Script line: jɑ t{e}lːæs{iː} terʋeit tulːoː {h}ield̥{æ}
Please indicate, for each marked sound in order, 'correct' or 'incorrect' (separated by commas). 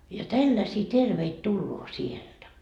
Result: incorrect, correct, incorrect, correct